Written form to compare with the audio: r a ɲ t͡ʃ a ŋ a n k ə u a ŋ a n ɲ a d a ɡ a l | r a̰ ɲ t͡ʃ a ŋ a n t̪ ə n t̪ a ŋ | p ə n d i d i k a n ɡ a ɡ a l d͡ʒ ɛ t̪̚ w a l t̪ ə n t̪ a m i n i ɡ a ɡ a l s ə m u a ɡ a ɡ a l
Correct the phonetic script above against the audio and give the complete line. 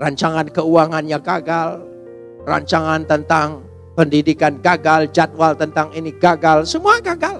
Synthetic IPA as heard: r a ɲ t͡ʃ a ŋ a n k ə u a ŋ a n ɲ a ɡ a ɡ a l | r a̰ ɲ t͡ʃ a ŋ a n t̪ ə n t̪ a ŋ | p ə n d i d i k a n ɡ a ɡ a l d͡ʒ a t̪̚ w a l t̪ ə n t̪ a ŋ i n i ɡ a ɡ a l s ə m u a ɡ a ɡ a l